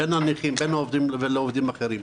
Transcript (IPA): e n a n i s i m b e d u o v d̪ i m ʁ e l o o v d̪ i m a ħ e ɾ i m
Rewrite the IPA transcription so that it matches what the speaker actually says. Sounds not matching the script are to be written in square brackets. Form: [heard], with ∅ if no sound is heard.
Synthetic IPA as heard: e n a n i [χ] i m b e [n] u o v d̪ i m [v] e l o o v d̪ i m a [χ] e ɾ i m